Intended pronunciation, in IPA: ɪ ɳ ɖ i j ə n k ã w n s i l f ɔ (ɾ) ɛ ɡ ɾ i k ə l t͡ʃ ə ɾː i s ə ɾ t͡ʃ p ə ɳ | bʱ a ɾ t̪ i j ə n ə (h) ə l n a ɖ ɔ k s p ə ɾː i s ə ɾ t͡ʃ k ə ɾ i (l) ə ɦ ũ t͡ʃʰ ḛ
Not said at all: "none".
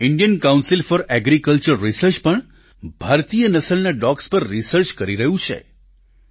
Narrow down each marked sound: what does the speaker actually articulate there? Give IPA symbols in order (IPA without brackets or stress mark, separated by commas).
ɾ, s, ɾ